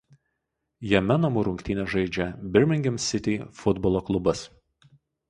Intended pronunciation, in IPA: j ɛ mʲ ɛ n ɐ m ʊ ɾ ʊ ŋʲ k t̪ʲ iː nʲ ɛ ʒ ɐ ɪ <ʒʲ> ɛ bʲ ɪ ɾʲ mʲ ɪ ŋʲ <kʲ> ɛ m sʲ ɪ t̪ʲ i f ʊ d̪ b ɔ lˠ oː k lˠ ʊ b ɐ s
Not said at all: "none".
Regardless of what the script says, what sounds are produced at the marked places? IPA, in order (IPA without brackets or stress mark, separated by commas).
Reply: d͡ʒʲ, ɡʲ